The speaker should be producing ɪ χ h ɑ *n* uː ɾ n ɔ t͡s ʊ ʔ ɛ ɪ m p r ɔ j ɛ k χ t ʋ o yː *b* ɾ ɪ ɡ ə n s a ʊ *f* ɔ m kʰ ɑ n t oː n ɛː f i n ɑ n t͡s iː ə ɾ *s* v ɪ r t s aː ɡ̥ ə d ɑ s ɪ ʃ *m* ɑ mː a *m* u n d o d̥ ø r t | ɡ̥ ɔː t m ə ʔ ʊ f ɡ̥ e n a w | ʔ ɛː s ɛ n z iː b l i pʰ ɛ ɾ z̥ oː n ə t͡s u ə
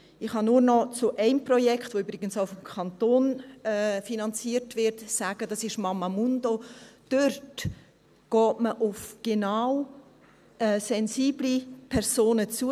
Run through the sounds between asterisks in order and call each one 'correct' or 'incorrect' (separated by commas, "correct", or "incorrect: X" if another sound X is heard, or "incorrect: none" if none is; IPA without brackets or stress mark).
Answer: correct, correct, correct, incorrect: t, correct, correct